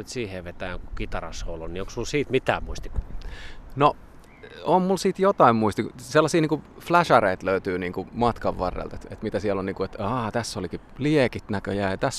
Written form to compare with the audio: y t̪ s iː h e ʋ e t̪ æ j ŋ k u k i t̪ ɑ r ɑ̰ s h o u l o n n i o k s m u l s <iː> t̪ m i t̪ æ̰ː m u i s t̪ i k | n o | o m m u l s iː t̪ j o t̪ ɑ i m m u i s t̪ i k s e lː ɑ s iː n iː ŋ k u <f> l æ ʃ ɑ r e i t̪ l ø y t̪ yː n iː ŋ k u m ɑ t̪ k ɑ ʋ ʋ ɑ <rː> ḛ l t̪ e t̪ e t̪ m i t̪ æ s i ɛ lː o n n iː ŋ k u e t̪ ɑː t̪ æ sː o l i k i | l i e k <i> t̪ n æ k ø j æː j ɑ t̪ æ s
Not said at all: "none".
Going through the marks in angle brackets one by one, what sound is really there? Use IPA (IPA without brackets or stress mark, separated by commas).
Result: iː, f, rː, i